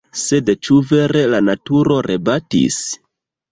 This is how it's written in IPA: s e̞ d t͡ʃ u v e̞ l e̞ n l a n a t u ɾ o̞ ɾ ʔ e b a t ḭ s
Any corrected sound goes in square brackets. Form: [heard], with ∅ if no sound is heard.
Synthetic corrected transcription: s e̞ d t͡ʃ u v e̞ [ɾ] e̞ [∅] l a n a t u ɾ o̞ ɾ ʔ e b a t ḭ s